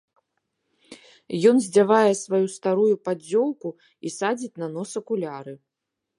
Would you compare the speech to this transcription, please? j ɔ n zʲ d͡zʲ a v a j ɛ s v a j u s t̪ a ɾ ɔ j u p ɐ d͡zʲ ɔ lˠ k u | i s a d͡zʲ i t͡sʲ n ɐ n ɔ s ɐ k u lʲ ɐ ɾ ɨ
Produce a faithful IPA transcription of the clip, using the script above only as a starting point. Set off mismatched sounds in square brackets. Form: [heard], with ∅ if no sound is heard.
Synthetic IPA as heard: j ɔ n zʲ d͡zʲ a v a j ɛ s v a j u s t̪ a ɾ [u] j u p [a] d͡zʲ ɔ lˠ k u | i s a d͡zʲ i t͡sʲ n ɐ n ɔ s ɐ k u lʲ [a] ɾ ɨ